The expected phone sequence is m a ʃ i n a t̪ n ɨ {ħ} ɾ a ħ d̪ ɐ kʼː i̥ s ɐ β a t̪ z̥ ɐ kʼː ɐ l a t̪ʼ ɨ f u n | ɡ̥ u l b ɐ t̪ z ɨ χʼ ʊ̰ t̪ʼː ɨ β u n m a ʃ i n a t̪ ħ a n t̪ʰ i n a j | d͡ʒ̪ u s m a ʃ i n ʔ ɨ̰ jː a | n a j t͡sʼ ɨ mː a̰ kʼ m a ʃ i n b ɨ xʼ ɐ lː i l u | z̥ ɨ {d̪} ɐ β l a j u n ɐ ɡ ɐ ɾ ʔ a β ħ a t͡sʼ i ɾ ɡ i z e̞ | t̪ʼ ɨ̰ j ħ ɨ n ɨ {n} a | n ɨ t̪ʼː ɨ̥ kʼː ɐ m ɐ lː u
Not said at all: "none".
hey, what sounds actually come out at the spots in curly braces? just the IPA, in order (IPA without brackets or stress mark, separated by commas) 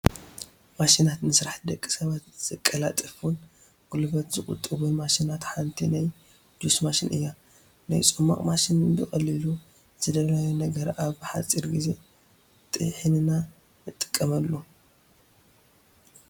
s, d̪, n